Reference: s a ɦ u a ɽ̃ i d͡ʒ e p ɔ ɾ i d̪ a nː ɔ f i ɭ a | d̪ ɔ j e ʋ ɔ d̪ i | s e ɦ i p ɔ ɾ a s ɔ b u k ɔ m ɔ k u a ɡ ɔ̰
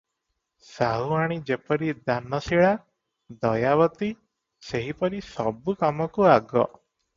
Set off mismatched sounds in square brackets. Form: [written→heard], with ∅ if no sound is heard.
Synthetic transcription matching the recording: s a ɦ u a ɽ̃ i d͡ʒ e p ɔ ɾ i d̪ a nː ɔ [f→s] i ɭ a | d̪ ɔ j [e→a] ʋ ɔ [d̪→t̪] i | s e ɦ i p ɔ ɾ [a→i] s ɔ b u k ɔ m ɔ k u a ɡ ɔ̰